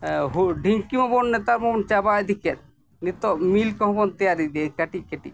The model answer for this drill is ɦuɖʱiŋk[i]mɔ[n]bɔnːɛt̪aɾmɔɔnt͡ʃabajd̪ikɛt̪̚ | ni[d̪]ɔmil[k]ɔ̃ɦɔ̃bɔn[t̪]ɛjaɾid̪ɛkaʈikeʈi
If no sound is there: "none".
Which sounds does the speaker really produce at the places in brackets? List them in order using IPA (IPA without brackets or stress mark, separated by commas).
i, none, t̪, k, t̪